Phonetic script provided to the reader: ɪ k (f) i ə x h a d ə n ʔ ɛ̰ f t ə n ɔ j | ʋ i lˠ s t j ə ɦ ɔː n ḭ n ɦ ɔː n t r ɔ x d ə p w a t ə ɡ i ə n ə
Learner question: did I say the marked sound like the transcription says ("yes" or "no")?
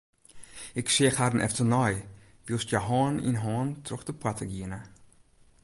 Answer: no